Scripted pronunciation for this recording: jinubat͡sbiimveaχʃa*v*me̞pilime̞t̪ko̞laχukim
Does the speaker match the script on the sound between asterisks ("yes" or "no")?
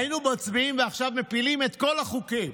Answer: yes